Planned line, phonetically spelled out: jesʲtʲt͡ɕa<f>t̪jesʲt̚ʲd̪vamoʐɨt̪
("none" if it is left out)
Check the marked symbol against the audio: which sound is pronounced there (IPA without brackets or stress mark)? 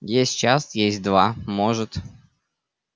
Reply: s